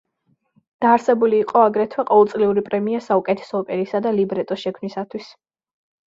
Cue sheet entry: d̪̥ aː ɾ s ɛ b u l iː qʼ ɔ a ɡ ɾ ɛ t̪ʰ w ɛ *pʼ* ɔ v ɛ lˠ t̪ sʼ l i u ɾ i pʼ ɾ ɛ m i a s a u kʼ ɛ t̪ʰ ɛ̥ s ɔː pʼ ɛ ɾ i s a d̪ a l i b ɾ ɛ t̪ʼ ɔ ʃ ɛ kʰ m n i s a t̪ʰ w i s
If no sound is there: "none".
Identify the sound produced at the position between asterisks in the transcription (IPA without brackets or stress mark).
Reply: qʼ